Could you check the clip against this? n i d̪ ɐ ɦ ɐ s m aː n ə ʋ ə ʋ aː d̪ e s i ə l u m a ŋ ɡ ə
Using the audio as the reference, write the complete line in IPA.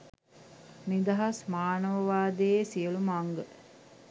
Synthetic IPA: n i d̪ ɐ ɦ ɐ s m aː n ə ʋ ə ʋ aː d̪ e s i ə l u m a ŋ ɡ ə